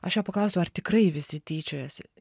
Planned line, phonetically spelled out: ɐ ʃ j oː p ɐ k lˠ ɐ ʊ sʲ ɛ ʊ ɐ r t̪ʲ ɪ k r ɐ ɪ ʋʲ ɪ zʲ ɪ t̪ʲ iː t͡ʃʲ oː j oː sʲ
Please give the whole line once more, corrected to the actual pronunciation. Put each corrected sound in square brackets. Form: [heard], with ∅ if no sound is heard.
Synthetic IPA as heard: ɐ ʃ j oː p ɐ k lˠ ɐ ʊ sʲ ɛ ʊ ɐ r t̪ʲ ɪ k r ɐ ɪ ʋʲ ɪ [sʲ] ɪ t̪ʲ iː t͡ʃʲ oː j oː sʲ